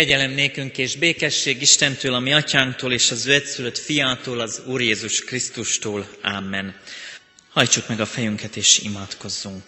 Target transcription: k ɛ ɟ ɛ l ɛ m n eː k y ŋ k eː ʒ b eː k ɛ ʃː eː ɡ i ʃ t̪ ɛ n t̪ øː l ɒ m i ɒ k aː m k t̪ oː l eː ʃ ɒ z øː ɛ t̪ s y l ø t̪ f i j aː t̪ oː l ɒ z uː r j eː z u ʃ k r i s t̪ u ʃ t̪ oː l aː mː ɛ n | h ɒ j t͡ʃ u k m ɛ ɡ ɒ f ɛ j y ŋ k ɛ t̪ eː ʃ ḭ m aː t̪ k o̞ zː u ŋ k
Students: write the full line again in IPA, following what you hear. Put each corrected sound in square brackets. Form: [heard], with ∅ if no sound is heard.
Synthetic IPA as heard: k ɛ ɟ ɛ l ɛ m n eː k y ŋ k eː ʒ b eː k ɛ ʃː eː ɡ i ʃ t̪ ɛ n t̪ øː l ɒ m i ɒ [c] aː [ŋ] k t̪ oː l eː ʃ ɒ z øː ɛ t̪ s y l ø t̪ f i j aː t̪ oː l ɒ z uː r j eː z u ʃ k r i s t̪ u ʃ t̪ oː l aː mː ɛ n | h ɒ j t͡ʃ u k m ɛ ɡ ɒ f ɛ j y ŋ k ɛ t̪ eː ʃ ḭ m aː t̪ k o̞ zː u ŋ k